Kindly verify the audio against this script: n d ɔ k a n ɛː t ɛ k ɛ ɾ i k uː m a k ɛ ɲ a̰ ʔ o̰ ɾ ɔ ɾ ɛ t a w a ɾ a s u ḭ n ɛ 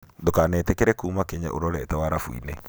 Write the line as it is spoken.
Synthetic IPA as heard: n d o k a n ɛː t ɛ k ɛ ɾ ɛ k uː m a k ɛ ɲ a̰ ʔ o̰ ɾ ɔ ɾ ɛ t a w a ɾ a f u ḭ n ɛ